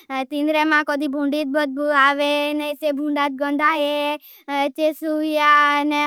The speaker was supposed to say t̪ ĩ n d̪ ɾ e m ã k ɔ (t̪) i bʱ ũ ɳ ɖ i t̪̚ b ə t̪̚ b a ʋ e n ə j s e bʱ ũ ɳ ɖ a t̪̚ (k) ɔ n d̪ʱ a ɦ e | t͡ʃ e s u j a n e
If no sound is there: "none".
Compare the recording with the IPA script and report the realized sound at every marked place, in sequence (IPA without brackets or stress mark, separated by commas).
d̪, ɡ